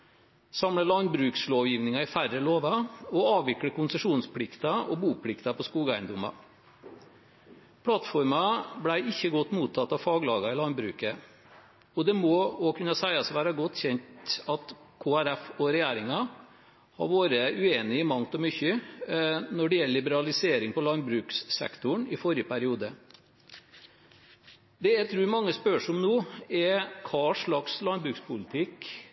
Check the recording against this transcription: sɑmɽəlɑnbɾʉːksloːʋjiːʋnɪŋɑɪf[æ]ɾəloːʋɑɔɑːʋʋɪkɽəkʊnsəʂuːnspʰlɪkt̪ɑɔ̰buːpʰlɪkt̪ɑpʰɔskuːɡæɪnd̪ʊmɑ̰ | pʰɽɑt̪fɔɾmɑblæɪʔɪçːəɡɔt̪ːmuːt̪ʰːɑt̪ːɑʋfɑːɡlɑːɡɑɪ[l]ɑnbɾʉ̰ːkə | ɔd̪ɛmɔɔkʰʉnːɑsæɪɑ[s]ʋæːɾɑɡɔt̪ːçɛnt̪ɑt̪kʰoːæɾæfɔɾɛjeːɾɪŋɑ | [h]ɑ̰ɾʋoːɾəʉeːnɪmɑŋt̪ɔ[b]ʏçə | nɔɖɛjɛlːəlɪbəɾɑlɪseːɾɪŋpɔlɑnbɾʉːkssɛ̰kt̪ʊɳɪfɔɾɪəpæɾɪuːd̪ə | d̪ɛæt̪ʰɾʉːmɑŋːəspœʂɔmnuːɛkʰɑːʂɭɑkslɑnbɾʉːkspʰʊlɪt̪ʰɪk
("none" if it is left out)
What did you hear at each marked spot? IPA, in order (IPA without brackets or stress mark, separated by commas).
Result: æ, l, s, h, m